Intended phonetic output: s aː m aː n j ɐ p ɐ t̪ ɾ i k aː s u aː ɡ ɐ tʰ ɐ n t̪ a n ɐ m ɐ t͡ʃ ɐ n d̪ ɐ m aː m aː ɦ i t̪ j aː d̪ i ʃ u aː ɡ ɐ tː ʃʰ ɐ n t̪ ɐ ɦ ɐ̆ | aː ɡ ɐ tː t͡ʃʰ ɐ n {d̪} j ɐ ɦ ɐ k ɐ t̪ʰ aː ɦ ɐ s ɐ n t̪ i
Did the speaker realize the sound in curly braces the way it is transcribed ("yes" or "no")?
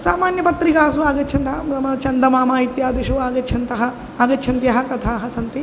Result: no